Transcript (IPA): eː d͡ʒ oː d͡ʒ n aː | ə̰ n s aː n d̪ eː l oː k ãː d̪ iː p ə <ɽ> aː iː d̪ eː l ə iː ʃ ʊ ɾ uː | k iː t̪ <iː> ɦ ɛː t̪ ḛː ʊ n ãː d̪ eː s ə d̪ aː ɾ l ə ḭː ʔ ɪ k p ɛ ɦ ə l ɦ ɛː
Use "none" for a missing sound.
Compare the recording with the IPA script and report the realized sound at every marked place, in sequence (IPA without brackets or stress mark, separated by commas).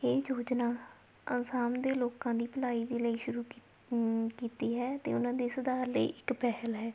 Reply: l, iː